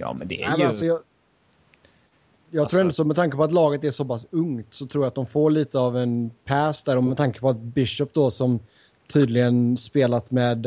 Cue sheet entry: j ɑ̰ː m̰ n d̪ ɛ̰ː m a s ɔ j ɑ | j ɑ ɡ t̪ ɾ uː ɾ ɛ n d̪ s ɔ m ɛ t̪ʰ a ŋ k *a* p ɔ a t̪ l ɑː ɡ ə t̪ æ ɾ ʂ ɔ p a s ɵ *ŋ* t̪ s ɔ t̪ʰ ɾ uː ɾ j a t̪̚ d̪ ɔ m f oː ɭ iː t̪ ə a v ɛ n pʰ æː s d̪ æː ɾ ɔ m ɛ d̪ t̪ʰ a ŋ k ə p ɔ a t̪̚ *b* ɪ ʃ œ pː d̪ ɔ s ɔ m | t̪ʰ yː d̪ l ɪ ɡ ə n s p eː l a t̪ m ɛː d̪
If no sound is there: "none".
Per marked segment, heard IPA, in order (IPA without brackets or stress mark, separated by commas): ə, ŋ, b